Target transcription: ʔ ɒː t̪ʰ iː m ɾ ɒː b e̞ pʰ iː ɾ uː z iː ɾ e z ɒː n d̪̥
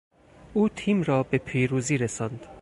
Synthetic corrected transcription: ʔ uː t̪ʰ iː m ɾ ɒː b e̞ pʰ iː ɾ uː z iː ɾ e s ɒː n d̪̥

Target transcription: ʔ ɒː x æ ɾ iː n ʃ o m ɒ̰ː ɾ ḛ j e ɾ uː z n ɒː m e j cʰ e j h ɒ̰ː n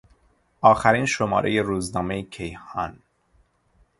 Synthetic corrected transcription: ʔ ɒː x æ ɾ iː n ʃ o m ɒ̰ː ɾ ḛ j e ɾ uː z n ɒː m e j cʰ e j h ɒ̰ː n

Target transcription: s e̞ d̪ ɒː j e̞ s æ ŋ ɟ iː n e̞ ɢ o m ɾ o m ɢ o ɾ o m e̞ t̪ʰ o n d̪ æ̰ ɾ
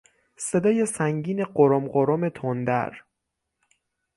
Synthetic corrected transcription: s e̞ d̪ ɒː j e̞ s æ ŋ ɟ iː n e̞ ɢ o ɾ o m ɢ o ɾ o m e̞ t̪ʰ o n d̪ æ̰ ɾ

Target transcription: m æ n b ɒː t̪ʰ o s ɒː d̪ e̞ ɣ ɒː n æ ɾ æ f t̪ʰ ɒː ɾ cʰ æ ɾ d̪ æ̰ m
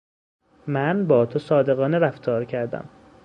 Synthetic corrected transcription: m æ n b ɒː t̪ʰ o s ɒː d̪ e̞ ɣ ɒː n e ɾ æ f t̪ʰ ɒː ɾ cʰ æ ɾ d̪ æ̰ m

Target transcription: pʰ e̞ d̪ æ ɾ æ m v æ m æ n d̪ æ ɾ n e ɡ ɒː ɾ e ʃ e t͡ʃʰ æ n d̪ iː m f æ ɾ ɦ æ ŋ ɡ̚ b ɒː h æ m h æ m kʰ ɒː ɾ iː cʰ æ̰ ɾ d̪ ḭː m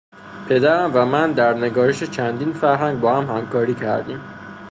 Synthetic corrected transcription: pʰ e̞ d̪ æ ɾ æ m v æ m æ n d̪ æ ɾ n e ɡ ɒː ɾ e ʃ e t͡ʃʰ æ n d̪ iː n f æ ɾ ɦ æ ŋ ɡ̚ b ɒː h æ m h æ m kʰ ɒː ɾ iː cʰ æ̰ ɾ d̪ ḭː m

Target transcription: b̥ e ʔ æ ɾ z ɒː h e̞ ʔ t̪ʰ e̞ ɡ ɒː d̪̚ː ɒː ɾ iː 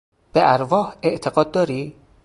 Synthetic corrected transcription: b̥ e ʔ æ ɾ v ɒː h e̞ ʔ t̪ʰ e̞ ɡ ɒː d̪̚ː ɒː ɾ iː

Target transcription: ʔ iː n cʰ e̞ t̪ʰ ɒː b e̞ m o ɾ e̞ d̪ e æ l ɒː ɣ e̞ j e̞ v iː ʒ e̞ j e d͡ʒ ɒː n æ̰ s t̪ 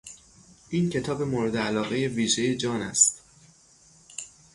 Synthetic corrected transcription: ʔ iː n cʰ e̞ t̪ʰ ɒː b e̞ m o ɾ e̞ d̪ e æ l ɒː ɣ e̞ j e̞ v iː ʒ e̞ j e d͡ʒ ɒː n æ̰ s t̪

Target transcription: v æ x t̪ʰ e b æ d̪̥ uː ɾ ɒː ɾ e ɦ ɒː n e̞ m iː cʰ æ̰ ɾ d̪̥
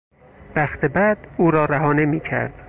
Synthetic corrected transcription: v æ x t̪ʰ e b æ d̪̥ uː ɾ ɒː ɾ æ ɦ ɒː n e̞ m iː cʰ æ̰ ɾ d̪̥

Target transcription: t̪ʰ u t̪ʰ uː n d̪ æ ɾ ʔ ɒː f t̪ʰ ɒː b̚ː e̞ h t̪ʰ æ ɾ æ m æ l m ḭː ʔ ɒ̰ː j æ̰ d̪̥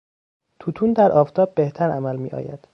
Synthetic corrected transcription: t̪ʰ u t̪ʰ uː n d̪ æ ɾ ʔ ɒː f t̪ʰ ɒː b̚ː e̞ h t̪ʰ æ ɾ æ m æ l m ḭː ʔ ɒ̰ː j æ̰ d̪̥

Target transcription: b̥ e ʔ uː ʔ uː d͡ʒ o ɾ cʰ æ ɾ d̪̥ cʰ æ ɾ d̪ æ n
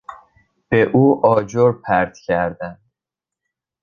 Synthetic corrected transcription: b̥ e ʔ uː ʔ ɒː d͡ʒ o ɾ pʰ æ ɾ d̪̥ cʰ æ ɾ d̪ æ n

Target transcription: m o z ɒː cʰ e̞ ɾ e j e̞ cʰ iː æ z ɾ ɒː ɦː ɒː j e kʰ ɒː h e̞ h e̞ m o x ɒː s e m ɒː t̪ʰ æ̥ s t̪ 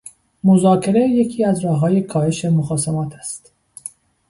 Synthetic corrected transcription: m o z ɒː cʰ e̞ ɾ e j e̞ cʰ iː æ z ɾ ɒː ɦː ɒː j e kʰ ɒː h e̞ ʃ e̞ m o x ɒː s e m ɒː t̪ʰ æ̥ s t̪

